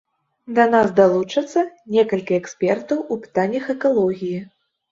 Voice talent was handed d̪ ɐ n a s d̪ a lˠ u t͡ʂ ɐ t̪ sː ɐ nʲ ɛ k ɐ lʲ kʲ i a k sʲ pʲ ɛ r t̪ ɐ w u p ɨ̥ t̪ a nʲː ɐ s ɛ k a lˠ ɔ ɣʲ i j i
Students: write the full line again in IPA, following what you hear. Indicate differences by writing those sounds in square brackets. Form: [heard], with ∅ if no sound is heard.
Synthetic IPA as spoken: d̪ ɐ n a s d̪ a lˠ u t͡ʂ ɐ t̪ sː ɐ nʲ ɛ k ɐ lʲ kʲ i [ɛ] k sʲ pʲ ɛ r t̪ ɐ w u p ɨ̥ t̪ a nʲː ɐ [x] ɛ k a lˠ ɔ ɣʲ i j i